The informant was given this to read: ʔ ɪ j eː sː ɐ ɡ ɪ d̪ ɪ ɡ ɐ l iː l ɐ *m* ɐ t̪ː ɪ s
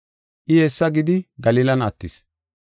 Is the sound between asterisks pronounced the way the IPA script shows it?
no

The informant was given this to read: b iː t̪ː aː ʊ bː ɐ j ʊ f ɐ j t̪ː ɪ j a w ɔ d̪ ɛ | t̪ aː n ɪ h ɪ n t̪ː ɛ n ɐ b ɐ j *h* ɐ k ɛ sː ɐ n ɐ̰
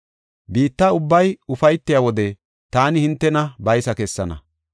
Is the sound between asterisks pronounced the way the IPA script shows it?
no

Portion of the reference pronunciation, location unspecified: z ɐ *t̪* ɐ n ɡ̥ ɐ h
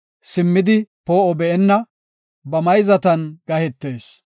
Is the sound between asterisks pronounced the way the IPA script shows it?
yes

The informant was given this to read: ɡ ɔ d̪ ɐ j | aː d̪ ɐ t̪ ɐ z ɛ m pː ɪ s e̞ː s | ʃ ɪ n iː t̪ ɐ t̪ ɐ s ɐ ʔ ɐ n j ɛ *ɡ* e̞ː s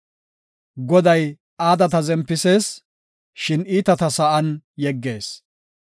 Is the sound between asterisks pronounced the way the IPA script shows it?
no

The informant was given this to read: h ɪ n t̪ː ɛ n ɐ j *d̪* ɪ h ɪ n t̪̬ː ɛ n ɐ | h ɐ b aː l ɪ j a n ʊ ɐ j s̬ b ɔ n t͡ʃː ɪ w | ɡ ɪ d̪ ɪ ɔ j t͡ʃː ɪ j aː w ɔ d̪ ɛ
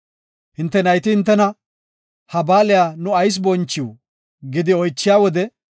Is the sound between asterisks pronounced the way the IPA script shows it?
no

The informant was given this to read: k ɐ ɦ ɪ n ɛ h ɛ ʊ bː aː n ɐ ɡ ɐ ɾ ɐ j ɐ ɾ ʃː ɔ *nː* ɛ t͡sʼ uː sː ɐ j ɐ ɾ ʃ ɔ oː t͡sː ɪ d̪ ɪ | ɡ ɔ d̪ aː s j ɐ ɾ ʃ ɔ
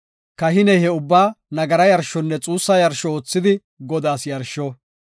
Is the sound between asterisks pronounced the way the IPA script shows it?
yes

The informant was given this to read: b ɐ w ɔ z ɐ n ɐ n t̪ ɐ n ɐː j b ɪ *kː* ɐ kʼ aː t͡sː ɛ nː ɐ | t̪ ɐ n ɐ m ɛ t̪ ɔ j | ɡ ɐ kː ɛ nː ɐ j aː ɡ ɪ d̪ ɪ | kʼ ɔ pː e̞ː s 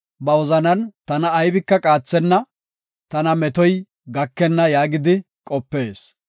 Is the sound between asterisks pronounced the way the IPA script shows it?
yes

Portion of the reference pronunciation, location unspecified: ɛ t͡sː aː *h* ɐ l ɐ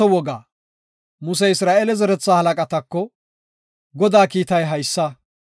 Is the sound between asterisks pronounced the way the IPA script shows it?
yes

